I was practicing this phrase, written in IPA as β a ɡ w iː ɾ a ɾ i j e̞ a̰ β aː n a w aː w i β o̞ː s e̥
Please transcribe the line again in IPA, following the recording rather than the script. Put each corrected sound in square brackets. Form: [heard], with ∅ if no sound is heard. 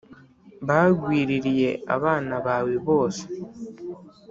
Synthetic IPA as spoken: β a ɡ w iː ɾ [i] ɾ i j e̞ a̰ β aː n a [β] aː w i β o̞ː s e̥